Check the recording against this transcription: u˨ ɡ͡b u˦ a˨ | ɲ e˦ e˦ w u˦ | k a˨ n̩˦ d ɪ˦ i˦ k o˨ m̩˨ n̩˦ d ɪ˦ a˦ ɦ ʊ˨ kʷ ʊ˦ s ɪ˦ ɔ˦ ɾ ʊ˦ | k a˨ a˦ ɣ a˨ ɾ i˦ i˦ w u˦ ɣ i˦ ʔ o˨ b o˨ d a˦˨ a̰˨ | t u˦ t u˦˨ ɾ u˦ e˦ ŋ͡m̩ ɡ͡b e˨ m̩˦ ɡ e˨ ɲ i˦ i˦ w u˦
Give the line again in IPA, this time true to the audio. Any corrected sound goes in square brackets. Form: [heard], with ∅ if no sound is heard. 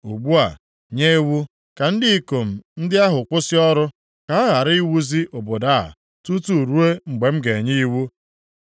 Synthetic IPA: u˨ ɡ͡b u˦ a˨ | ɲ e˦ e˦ w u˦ | k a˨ n̩˦ d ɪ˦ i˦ k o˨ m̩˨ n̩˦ d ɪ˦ a˦ ɦ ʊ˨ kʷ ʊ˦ s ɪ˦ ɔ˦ ɾ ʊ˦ | k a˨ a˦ ɣ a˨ ɾ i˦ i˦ w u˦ [z] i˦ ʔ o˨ b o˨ d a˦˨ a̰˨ | t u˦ t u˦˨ ɾ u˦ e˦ ŋ͡m̩ ɡ͡b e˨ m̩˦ ɡ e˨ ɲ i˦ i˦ w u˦

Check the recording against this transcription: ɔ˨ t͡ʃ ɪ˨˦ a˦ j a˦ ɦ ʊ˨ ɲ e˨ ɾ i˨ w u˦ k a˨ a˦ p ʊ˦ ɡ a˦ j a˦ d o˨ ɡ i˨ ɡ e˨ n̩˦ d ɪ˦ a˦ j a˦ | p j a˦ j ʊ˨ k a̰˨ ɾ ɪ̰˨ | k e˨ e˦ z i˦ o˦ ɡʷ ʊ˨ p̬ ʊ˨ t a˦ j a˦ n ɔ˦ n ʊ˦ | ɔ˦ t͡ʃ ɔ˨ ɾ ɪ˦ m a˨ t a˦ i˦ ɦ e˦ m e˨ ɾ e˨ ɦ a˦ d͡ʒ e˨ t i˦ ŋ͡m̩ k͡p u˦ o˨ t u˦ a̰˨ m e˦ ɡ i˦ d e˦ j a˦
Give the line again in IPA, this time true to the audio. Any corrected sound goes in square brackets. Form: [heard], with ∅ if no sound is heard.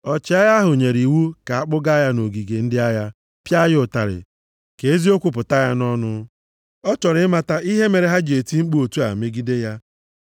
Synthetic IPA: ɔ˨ t͡ʃ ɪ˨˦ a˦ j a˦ ɦ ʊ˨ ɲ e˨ ɾ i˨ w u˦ k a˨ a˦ [k͡p] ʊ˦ ɡ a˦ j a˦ [n] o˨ ɡ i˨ ɡ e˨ n̩˦ d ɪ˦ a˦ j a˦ | p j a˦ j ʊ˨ [t] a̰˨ ɾ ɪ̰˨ | k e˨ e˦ z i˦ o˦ [kʷ] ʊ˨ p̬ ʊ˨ t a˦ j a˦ n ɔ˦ n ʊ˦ | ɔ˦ t͡ʃ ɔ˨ ɾ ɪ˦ m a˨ t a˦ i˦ ɦ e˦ m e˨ ɾ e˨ ɦ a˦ d͡ʒ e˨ t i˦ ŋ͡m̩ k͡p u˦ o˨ t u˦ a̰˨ m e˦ ɡ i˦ d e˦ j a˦

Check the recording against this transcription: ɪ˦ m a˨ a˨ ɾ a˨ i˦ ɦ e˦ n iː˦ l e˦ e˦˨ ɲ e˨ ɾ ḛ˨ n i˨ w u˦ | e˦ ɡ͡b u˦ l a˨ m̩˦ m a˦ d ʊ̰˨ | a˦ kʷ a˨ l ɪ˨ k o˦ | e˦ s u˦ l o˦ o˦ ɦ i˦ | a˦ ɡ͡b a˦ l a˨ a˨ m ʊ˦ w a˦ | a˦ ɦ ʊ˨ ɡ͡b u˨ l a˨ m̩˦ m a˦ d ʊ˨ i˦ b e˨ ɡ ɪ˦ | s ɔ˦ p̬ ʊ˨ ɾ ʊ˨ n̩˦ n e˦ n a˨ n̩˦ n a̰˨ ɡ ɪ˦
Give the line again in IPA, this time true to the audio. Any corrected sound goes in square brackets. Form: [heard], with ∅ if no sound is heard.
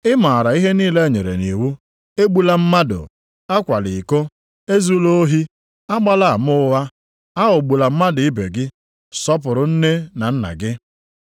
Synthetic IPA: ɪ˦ m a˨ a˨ ɾ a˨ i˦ ɦ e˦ n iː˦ l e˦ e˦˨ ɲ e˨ ɾ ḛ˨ n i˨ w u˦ | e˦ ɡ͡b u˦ l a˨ m̩˦ m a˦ d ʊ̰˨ | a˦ kʷ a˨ l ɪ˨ k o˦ | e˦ [z] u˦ l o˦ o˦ ɦ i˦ | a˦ ɡ͡b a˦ l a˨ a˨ m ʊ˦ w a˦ | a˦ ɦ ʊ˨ ɡ͡b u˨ l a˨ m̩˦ m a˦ d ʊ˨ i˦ b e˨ ɡ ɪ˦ | s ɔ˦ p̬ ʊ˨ ɾ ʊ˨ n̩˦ n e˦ n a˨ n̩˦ n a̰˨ ɡ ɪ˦

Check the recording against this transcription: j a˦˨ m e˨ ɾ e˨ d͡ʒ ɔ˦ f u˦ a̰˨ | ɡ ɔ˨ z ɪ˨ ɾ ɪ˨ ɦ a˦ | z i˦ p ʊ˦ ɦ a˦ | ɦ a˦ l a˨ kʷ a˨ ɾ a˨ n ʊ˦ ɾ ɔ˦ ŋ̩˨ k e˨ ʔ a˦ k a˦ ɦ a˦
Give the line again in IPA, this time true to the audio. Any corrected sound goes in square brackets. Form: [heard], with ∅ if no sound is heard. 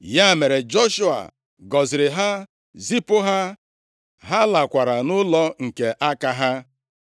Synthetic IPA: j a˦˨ m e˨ ɾ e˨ d͡ʒ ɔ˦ [ʃ] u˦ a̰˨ | ɡ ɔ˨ z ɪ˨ ɾ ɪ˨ ɦ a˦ | z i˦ p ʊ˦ ɦ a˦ | ɦ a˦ l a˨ kʷ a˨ ɾ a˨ n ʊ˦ [l] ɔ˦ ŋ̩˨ k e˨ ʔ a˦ k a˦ ɦ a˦

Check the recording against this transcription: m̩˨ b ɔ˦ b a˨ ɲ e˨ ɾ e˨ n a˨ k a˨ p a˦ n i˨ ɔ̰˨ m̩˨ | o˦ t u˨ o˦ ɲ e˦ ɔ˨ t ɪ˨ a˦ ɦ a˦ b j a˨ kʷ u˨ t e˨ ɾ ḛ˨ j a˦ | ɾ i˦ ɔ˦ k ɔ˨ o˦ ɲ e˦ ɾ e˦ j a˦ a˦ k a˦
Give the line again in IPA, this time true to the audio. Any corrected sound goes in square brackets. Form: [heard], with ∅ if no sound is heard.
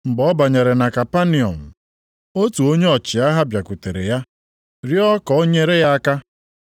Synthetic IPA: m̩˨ b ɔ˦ b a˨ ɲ e˨ ɾ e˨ n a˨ k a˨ p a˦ n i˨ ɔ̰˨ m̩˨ | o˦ t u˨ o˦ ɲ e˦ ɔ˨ [t͡ʃ] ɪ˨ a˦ ɦ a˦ b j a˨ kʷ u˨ t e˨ ɾ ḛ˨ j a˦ | ɾ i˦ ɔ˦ k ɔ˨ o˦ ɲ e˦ ɾ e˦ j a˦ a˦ k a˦

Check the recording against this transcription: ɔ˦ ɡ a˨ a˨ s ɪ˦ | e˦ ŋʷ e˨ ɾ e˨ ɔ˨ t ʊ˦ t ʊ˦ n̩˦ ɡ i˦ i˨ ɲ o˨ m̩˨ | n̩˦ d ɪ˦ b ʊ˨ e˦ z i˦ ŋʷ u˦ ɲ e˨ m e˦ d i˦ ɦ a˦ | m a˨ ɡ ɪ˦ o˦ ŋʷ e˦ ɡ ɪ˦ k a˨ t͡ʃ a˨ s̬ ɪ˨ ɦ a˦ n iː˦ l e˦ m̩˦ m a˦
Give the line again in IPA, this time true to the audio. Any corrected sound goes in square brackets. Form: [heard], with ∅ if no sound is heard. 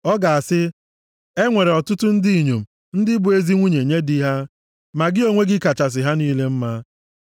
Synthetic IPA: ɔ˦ ɡ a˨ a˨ s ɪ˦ | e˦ ŋʷ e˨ ɾ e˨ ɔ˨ t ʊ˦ t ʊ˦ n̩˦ [d] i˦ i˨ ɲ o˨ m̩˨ | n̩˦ d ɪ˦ b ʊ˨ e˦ z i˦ ŋʷ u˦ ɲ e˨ [ɲ] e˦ d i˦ ɦ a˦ | m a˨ ɡ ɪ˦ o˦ ŋʷ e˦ ɡ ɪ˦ k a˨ t͡ʃ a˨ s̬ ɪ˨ ɦ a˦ n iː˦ l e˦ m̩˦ m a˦

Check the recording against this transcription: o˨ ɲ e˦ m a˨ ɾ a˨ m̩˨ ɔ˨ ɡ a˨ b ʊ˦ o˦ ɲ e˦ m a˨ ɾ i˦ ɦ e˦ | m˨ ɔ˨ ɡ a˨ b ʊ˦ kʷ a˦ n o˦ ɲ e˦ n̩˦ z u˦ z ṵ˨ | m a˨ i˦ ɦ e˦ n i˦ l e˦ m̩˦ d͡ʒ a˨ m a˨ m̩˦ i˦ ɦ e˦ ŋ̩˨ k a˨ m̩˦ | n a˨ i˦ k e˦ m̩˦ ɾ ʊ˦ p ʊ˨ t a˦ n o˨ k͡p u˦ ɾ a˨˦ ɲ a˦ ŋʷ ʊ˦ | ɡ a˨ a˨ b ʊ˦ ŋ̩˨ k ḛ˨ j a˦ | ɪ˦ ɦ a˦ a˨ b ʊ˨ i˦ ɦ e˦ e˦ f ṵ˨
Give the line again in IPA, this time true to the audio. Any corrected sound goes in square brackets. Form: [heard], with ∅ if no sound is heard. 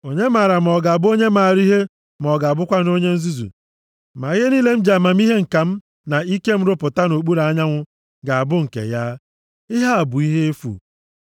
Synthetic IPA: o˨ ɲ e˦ m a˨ ɾ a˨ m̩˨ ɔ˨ ɡ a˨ b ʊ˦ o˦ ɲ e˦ m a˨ ɾ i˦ ɦ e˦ | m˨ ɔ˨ ɡ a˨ b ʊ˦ kʷ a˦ n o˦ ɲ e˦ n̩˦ z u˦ z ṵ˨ | m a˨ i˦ ɦ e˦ n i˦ l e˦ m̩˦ d͡ʒ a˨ m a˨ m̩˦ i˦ ɦ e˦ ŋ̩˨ k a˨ m̩˦ | n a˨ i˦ k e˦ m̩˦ ɾ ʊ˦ p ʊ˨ t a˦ n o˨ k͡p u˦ ɾ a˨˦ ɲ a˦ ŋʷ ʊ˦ | ɡ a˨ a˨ b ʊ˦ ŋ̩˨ k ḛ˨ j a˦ | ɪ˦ ɦ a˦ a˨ b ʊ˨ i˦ ɦ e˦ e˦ f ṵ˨

